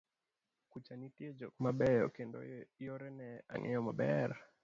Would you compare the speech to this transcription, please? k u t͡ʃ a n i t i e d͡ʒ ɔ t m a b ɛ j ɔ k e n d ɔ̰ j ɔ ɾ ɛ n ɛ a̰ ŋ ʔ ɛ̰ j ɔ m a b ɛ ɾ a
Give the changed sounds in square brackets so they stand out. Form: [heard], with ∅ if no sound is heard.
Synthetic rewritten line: k u t͡ʃ a n i t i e d͡ʒ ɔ [k] m a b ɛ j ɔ k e n d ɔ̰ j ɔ ɾ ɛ n ɛ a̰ ŋ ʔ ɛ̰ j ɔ m a b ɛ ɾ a